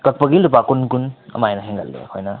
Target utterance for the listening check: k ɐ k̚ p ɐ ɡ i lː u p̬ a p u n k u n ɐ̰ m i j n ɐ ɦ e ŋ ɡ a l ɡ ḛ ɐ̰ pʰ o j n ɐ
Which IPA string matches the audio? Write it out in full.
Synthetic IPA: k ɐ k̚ p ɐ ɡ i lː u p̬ a k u n k u n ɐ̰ m a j n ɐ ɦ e ŋ ɡ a l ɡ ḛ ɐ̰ kʰ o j n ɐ